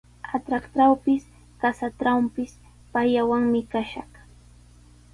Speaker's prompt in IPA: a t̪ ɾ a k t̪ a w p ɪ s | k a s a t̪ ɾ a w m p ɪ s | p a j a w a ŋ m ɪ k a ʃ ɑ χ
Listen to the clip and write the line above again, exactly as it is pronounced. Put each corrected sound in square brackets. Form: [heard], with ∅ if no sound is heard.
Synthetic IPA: a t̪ ɾ a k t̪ a w p ɪ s | k a s a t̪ ɾ a w m p ɪ s | p a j a w a ŋ m ɪ k a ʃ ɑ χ